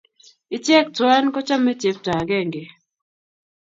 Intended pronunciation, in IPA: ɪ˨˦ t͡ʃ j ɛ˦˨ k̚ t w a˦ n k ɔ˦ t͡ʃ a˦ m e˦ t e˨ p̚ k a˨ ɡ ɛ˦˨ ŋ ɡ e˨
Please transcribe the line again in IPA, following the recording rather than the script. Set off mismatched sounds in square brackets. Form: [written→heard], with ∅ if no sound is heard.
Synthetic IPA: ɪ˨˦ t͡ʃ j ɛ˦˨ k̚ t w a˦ n k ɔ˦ t͡ʃ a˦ m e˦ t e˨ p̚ [k→t] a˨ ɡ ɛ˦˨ ŋ ɡ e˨